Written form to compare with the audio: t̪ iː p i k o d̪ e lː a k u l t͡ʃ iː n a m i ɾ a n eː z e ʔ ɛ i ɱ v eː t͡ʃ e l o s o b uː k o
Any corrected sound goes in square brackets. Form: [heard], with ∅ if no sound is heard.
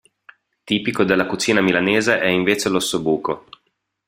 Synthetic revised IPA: t̪ iː p i k o d̪ e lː a k u [∅] t͡ʃ iː n a m i [l] a n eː z e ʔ ɛ i ɱ v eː t͡ʃ e l o s o b uː k o